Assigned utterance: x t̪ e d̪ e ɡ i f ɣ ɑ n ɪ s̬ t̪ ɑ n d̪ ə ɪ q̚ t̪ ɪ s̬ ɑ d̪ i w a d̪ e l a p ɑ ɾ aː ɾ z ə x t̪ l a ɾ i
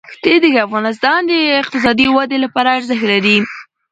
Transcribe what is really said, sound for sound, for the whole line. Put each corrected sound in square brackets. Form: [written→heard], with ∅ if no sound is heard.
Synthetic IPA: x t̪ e d̪ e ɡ [i→a] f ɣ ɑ n ɪ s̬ t̪ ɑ n d̪ ə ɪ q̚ t̪ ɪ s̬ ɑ d̪ i w a d̪ e l a p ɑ ɾ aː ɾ z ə x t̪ l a ɾ i

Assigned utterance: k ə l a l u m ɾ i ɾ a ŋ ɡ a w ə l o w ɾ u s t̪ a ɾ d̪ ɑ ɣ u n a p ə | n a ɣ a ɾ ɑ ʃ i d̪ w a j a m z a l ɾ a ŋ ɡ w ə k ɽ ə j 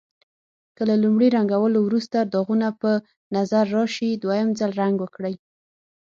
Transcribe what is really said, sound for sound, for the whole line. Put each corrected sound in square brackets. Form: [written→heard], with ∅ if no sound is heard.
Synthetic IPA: k ə l a l u m [ɾ→ɽ] i ɾ a ŋ ɡ a w ə l o w ɾ u s t̪ a ɾ d̪ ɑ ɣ u n a p ə | n a [ɣ→z] a [ɾ→ɾː] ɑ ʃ i d̪ w a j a m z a l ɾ a ŋ ɡ w ə k ɽ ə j

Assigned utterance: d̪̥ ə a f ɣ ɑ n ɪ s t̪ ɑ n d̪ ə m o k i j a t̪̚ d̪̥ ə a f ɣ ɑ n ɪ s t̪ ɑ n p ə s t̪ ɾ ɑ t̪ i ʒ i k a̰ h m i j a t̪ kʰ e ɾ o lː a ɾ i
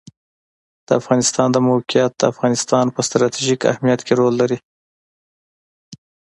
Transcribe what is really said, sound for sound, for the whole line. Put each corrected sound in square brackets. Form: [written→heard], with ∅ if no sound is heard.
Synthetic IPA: d̪̥ ə a f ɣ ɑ n ɪ s t̪ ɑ n d̪ ə m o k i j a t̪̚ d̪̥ ə a f ɣ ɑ n ɪ s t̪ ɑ n p ə s t̪ ɾ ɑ t̪ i ʒ i k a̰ h m i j a t̪ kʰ e ɾ o lː a ɾ i

